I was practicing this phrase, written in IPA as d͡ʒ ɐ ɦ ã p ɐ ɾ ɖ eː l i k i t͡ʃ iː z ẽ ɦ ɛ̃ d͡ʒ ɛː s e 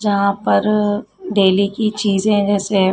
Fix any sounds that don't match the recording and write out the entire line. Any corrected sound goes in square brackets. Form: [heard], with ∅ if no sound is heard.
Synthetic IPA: d͡ʒ ɐ ɦ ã p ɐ ɾ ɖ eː l i k i t͡ʃ iː z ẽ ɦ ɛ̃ d͡ʒ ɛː s e